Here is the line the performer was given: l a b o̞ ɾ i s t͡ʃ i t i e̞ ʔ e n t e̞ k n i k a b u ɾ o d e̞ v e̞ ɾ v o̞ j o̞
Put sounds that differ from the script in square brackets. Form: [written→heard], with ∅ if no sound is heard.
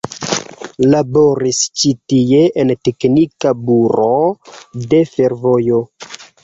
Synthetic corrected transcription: l a b o̞ ɾ i s t͡ʃ i t i e̞ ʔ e n t e̞ k n i k a b u ɾ o d e̞ [v→f] e̞ ɾ v o̞ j o̞